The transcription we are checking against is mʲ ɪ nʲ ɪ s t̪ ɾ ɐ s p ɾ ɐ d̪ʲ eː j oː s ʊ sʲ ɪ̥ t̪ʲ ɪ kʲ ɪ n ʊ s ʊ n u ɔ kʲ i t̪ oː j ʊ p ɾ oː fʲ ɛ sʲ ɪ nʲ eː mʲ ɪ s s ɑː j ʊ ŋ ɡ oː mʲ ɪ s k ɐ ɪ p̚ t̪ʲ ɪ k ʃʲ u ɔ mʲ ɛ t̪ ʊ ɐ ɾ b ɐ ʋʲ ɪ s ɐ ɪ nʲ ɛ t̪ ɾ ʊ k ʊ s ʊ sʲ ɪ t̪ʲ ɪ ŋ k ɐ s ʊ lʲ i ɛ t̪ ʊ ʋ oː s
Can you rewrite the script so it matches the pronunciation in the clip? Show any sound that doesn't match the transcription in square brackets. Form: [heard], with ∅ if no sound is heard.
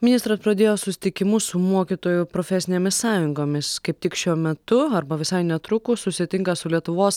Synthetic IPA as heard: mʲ ɪ nʲ ɪ s t̪ ɾ ɐ s p ɾ ɐ d̪ʲ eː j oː s ʊ sʲ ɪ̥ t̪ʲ ɪ kʲ ɪ [m] ʊ s ʊ [m] u ɔ kʲ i t̪ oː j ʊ p ɾ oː fʲ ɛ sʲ ɪ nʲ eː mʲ ɪ s s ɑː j ʊ ŋ ɡ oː mʲ ɪ s k ɐ ɪ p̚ t̪ʲ ɪ k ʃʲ u ɔ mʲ ɛ t̪ ʊ ɐ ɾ b ɐ ʋʲ ɪ s ɐ ɪ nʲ ɛ t̪ ɾ ʊ k ʊ s ʊ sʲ ɪ t̪ʲ ɪ ŋ k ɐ s ʊ lʲ i ɛ t̪ ʊ ʋ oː s

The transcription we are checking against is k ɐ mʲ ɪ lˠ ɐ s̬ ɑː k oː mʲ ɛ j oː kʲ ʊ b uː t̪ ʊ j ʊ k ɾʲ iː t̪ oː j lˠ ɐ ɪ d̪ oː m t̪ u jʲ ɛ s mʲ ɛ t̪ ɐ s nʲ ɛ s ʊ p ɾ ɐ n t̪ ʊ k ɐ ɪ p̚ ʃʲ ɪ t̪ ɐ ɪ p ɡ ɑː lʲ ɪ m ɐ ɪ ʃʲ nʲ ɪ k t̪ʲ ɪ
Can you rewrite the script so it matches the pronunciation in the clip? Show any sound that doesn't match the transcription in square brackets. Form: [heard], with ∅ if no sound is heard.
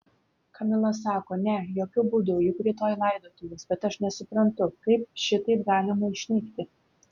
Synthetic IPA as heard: k ɐ mʲ ɪ lˠ ɐ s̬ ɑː k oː [nʲ] ɛ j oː kʲ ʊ b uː [d̪] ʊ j ʊ k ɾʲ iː t̪ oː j lˠ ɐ ɪ d̪ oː [∅] t̪ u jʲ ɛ s [bʲ] ɛ t̪ ɐ [ʃ] nʲ ɛ s ʊ p ɾ ɐ n t̪ ʊ k ɐ ɪ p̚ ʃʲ ɪ t̪ ɐ ɪ p ɡ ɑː lʲ ɪ m ɐ ɪ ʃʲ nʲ ɪ k t̪ʲ ɪ

